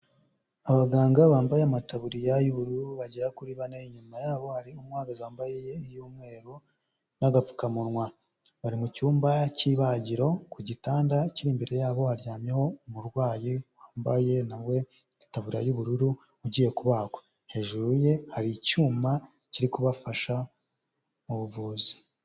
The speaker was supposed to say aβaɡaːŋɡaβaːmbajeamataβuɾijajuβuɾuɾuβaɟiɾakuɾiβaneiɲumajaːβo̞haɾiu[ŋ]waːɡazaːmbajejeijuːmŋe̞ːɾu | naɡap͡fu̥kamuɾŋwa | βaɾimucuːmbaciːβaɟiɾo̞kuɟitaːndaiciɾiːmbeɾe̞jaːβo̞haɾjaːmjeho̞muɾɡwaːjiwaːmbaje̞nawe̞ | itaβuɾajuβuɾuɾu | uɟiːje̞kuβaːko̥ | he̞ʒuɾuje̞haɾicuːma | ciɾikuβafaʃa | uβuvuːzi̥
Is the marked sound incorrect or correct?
incorrect